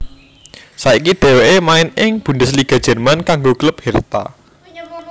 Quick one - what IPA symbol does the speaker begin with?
s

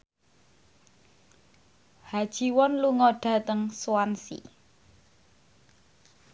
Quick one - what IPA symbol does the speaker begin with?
h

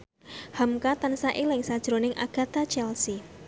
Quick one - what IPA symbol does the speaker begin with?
h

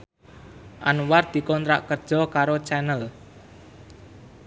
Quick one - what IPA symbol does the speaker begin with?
ʔ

